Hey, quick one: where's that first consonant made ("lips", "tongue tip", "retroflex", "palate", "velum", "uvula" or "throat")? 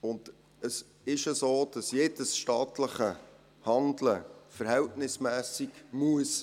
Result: tongue tip